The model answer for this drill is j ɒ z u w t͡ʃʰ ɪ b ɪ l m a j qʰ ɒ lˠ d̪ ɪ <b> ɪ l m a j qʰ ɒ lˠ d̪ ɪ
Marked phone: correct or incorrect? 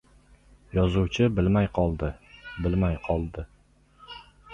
correct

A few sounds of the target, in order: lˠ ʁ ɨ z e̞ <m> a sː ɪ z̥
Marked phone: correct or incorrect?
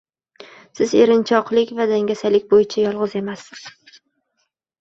correct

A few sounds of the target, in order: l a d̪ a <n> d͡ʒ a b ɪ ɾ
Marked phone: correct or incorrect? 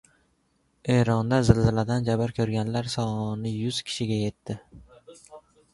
correct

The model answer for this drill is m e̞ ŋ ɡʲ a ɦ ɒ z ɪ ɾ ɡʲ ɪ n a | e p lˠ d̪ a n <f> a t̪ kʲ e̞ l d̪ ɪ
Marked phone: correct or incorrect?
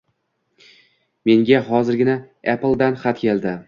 incorrect: χ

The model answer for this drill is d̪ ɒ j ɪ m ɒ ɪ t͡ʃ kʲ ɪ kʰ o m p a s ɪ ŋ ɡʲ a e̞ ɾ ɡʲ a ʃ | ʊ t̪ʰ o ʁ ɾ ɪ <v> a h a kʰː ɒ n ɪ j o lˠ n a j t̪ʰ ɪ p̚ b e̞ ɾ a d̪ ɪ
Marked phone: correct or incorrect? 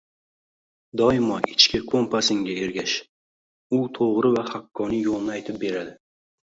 correct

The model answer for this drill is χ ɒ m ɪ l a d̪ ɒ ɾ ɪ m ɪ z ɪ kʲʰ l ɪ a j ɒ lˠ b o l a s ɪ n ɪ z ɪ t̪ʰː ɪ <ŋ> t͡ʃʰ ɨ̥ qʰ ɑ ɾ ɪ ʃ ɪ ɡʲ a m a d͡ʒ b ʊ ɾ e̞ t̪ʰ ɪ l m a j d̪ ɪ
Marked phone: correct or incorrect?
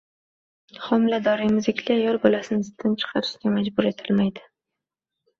incorrect: n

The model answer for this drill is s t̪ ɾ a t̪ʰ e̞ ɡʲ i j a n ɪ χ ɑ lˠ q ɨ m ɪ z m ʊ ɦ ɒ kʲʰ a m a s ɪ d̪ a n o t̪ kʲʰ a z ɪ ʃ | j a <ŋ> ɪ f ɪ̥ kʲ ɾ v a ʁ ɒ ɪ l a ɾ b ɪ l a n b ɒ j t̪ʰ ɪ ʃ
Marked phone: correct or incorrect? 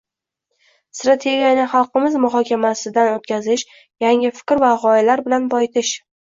correct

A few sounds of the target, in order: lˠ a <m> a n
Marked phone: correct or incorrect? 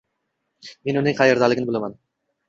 correct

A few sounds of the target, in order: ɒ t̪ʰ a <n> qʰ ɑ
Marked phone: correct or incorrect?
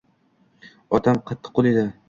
incorrect: m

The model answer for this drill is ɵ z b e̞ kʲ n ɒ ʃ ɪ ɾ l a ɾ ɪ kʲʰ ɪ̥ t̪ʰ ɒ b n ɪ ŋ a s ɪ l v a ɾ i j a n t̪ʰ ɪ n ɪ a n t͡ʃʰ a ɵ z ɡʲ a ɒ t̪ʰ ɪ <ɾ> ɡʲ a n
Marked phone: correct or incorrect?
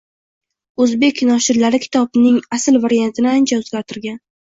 correct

